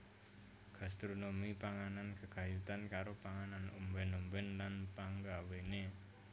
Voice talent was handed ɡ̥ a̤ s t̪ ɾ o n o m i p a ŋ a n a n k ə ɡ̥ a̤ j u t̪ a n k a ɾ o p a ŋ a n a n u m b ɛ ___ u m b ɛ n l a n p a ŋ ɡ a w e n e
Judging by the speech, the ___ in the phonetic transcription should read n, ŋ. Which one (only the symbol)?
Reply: n